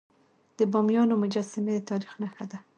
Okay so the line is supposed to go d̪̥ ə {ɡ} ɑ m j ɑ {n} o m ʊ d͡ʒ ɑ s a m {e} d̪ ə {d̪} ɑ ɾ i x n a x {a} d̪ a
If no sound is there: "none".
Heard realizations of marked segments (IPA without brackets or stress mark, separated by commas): b, n, e, t̪, a